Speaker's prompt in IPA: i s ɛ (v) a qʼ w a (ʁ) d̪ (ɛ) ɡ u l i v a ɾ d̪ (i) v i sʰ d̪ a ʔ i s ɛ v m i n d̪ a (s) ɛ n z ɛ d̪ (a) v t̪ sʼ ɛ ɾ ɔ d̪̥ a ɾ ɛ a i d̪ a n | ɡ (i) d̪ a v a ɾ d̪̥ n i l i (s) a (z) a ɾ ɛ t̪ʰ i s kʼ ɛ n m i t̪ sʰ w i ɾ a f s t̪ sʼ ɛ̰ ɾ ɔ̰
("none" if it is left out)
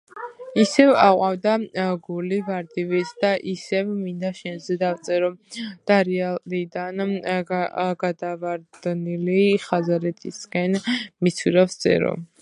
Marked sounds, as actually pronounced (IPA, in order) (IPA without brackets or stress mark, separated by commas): v, v, a, i, ʃ, a, a, χ, z